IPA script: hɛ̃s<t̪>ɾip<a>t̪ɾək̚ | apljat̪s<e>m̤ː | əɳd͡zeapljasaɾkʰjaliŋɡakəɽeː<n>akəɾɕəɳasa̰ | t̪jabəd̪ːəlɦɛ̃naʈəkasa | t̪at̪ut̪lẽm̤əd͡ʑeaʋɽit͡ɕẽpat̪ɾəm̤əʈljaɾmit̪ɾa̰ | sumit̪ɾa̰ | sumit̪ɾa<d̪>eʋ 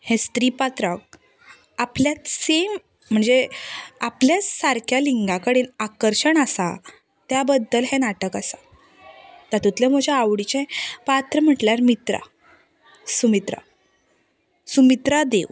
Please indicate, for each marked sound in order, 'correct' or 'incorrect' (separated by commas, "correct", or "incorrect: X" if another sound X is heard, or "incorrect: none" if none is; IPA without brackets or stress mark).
correct, correct, correct, correct, correct